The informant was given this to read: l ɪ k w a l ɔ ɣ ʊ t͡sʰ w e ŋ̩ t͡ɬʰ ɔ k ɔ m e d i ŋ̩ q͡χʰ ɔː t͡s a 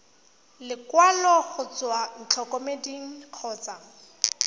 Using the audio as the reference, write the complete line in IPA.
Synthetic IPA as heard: l ɪ k w a l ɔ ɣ ʊ t͡s w a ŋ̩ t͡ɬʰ ɔ k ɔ m e d i ŋ̩ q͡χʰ ɔː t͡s a